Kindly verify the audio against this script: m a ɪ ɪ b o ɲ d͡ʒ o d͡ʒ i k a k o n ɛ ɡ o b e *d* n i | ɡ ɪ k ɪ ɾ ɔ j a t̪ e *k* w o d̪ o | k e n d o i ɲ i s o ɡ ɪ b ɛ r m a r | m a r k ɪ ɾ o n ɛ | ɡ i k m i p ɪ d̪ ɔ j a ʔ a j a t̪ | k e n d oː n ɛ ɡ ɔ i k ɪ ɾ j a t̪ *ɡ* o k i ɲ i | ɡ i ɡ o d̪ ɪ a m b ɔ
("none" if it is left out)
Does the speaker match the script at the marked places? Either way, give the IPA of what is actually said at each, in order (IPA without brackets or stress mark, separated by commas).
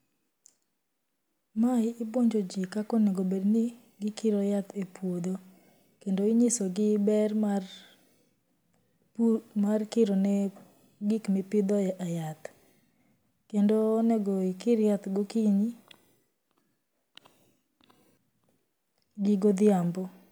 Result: d, p, ɡ